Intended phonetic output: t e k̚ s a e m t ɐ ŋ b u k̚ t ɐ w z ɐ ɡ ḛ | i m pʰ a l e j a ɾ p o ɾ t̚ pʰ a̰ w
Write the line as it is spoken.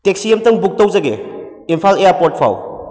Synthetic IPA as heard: t e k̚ s i e m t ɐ ŋ b u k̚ t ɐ w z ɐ ɡ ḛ | i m pʰ a l e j a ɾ p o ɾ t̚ pʰ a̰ w

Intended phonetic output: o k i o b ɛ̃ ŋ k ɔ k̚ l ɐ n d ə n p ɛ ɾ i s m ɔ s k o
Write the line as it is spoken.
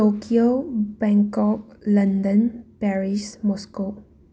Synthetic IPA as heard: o k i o b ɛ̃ ŋ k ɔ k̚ l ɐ n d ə n p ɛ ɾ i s m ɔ s k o

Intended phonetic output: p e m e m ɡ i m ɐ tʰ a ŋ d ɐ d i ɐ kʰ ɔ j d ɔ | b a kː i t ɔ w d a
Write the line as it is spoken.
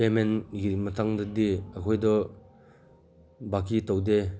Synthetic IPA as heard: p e m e n ɡ i m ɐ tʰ a ŋ d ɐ d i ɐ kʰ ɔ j d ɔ | b a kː i t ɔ w d e

